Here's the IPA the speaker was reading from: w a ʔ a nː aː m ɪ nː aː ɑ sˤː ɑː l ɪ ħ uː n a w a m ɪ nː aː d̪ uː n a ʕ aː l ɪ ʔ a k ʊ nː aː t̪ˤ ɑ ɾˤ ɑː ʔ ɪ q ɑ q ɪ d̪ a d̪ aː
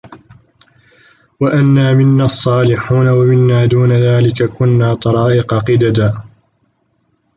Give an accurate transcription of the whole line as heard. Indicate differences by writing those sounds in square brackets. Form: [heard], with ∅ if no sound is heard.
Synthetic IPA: w a ʔ a nː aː m ɪ nː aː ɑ sˤː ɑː l ɪ ħ uː n a w a m ɪ nː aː d̪ uː n a [ð] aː l ɪ [k] a k ʊ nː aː t̪ˤ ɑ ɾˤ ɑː ʔ ɪ q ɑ q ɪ d̪ a d̪ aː